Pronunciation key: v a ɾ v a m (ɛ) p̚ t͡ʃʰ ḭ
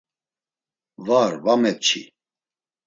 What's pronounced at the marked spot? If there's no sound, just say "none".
ɛ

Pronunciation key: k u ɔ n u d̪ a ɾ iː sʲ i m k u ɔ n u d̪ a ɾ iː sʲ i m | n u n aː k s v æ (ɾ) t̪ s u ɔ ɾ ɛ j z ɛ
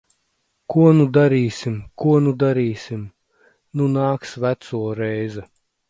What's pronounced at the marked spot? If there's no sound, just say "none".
none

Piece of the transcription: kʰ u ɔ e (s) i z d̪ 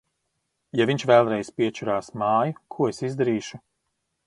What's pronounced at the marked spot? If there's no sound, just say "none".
s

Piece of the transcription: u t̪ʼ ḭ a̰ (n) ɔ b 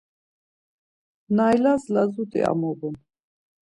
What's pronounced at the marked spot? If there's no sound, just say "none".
m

